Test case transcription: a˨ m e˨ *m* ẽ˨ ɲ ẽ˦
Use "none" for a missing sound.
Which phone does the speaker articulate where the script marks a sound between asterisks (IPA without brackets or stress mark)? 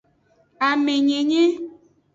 ɲ